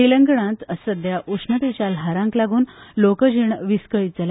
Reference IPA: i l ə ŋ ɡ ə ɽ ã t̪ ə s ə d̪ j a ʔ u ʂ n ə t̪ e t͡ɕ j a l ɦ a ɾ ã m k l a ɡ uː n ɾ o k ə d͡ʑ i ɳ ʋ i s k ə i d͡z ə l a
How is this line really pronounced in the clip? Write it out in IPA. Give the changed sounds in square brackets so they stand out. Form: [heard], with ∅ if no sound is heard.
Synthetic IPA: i l ə ŋ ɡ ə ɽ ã t̪ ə s ə d̪ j a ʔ u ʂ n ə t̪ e t͡ɕ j a l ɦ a ɾ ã [ŋ] k l a ɡ uː n [l] o k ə d͡ʑ i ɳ ʋ i s k ə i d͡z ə l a